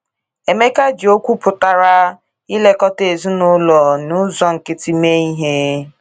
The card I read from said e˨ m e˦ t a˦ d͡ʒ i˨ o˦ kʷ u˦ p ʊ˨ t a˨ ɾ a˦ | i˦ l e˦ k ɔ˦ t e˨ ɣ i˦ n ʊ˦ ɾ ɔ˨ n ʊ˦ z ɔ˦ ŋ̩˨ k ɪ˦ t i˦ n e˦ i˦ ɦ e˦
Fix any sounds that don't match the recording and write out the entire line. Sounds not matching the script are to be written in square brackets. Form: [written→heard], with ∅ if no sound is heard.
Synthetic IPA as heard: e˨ m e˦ [t→k] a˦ d͡ʒ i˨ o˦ kʷ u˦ p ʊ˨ t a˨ ɾ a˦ | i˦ l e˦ k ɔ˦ t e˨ [ɣ→z] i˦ n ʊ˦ [ɾ→l] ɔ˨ n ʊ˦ z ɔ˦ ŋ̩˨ k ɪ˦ t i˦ [n→m] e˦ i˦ ɦ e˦